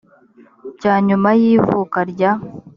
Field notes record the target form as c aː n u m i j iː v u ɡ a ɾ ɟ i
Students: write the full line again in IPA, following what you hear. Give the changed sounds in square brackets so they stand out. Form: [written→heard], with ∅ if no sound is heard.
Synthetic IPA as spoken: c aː [n→ɲ] u m [i→a] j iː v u [ɡ→k] a ɾ ɟ [i→a]